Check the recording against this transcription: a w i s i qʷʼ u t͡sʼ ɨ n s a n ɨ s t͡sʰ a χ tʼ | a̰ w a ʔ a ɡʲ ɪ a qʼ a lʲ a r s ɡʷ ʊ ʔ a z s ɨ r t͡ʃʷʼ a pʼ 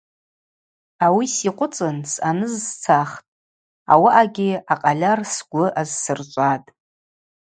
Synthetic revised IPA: a w i s i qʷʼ ʊ t͡sʼ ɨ n s a n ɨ z t͡sʰ a χ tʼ | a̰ w a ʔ a ɡʲ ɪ a qʼ a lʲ a r s ɡʷ ʊ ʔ a z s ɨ r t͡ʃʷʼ a tʼ

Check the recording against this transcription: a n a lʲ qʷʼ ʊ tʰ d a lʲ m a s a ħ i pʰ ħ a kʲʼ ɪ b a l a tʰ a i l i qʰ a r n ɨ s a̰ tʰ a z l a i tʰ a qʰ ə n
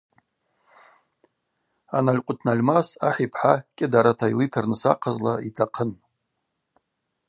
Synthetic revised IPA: a n a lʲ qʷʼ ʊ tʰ n a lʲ m a s a ħ i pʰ ħ a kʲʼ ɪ d a ɾ a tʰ a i l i tʰ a r n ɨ s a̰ qʰ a z l a i tʰ a qʰ ə n

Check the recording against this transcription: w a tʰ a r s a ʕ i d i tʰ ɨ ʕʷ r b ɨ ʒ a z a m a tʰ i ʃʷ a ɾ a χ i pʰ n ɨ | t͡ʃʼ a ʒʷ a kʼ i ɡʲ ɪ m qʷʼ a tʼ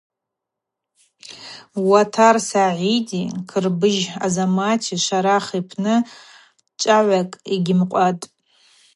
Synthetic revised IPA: w a tʰ a r s a ʕ i d i kʰ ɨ r b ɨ ʒ a z a m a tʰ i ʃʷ a ɾ a χ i pʰ n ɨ | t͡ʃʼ a ʕʷ a kʼ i ɡʲ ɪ m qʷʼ a tʼ

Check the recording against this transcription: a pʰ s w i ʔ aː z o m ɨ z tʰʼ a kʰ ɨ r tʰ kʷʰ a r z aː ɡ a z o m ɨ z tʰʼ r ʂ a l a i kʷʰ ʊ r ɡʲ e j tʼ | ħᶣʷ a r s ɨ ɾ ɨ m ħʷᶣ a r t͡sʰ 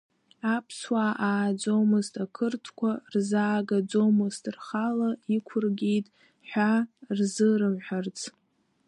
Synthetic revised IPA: a pʰ s w a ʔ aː d͡z o m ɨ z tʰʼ a kʰ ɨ r tʰ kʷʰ a r z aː ɡ a d͡z o m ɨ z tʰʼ r χ a l a i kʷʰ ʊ r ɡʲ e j tʼ | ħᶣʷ a r z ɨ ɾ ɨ m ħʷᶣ a r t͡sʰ

